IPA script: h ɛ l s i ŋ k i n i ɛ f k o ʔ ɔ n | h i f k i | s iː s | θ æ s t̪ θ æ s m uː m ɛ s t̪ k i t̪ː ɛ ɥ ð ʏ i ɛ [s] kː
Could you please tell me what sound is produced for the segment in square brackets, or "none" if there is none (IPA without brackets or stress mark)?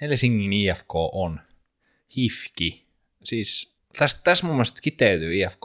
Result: f